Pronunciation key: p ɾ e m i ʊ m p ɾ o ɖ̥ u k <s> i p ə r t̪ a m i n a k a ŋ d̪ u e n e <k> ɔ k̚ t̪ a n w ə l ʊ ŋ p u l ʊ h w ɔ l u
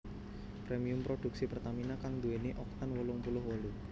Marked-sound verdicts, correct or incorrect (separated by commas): correct, incorrect